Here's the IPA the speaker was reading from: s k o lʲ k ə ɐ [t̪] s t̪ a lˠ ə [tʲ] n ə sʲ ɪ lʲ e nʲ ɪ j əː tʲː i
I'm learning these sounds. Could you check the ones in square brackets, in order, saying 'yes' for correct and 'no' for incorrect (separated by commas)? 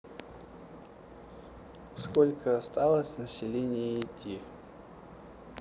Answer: no, no